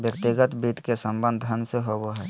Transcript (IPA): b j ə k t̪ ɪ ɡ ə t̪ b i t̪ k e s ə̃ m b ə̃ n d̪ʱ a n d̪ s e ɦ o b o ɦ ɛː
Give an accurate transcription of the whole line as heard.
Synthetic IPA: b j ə k t̪ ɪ ɡ ə t̪ b i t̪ k e s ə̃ m b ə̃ n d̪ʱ ə n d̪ s e ɦ o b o ɦ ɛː